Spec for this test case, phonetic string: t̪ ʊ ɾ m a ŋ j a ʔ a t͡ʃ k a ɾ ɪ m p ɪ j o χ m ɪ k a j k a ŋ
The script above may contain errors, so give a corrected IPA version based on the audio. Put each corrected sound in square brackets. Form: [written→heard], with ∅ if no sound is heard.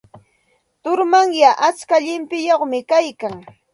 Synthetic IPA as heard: t̪ ʊ ɾ m a ŋ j a ʔ a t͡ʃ k a [ɾ→ʎ] ɪ m p ɪ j o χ m ɪ k a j k a ŋ